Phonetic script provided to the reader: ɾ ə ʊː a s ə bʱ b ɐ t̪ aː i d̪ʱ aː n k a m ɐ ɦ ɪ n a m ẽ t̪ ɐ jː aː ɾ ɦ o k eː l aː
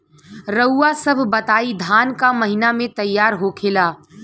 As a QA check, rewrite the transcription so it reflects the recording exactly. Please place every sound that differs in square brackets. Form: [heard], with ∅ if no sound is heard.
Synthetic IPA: ɾ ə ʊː a s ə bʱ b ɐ t̪ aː i d̪ʱ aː n k a m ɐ ɦ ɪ n a m ẽ t̪ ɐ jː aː ɾ ɦ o [kʰ] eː l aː